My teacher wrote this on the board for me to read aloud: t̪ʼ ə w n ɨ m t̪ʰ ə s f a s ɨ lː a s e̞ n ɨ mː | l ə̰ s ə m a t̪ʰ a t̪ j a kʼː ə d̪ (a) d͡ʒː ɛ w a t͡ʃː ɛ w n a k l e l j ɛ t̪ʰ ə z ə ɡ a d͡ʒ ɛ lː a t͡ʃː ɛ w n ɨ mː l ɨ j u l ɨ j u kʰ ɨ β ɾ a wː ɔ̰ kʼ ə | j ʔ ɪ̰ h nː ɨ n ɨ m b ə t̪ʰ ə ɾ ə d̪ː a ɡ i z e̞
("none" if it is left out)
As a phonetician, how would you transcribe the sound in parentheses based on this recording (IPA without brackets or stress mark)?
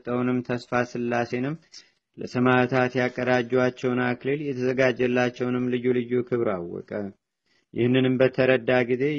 a